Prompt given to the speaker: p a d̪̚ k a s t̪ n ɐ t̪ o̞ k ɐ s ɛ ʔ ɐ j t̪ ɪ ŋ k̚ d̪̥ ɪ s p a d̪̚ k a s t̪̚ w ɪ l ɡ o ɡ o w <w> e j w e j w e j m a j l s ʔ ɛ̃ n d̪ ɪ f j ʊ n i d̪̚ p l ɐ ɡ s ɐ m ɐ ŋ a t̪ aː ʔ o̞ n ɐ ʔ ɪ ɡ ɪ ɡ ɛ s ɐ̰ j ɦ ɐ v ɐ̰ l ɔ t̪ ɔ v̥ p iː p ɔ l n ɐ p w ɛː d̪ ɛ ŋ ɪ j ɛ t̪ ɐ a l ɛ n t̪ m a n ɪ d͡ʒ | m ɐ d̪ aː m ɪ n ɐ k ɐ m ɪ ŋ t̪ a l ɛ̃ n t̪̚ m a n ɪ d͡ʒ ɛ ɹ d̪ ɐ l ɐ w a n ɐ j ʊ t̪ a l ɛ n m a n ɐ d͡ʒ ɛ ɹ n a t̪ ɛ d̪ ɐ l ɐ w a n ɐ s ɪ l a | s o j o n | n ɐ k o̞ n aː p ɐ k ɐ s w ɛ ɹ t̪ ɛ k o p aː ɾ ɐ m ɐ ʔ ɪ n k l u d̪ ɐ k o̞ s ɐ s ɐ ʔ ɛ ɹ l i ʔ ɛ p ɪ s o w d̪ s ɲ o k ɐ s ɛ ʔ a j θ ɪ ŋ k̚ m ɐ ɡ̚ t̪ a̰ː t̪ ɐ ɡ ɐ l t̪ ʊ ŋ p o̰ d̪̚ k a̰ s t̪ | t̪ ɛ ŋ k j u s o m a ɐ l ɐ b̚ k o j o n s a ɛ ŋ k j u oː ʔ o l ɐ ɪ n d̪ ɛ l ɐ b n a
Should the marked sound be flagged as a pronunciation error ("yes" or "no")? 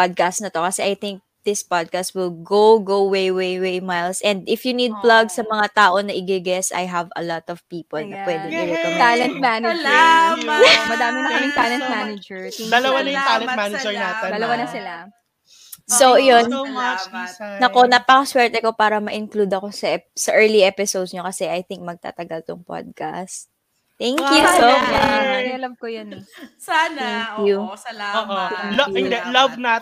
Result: no